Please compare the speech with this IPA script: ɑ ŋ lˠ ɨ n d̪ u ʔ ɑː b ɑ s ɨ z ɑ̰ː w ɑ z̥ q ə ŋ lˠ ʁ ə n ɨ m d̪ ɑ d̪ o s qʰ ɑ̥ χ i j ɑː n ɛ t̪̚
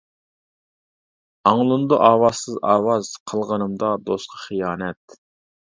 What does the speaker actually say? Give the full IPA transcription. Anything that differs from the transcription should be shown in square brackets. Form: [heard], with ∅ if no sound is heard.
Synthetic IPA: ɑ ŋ lˠ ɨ n d̪ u ʔ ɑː [w] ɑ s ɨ z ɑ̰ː w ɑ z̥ [qʰ] ə [∅] lˠ ʁ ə n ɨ m d̪ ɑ d̪ o s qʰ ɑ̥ χ i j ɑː n ɛ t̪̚